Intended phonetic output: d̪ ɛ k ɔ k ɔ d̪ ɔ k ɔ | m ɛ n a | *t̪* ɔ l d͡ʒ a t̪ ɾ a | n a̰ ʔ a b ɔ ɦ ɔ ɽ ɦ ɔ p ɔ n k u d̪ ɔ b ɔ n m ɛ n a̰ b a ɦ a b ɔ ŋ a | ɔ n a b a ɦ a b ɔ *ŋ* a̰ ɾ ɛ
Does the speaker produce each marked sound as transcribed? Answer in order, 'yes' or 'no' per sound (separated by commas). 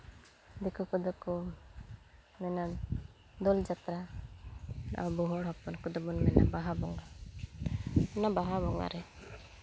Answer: no, yes